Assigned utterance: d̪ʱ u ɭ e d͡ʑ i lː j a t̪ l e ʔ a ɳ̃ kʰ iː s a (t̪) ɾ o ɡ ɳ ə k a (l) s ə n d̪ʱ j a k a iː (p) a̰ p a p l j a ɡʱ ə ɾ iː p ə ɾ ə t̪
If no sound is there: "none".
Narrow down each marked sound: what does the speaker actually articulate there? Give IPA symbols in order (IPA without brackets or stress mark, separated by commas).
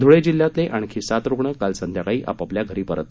t̪, l, ʔ